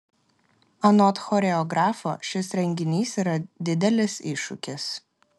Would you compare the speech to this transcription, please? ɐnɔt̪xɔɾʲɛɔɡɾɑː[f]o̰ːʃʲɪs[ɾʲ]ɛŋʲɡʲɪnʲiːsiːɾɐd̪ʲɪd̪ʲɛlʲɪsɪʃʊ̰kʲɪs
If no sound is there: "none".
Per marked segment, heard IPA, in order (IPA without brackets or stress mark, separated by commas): f, ɾʲ